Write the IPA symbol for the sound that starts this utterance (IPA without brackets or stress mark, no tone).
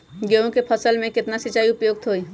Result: ɡ